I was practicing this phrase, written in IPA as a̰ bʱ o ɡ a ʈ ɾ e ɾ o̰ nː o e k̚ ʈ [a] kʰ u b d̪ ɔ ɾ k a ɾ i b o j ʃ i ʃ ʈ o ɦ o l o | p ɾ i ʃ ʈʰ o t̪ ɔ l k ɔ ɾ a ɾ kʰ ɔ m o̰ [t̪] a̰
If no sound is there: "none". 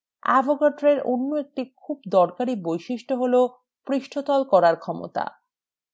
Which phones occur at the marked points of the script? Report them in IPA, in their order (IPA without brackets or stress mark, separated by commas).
i, t̪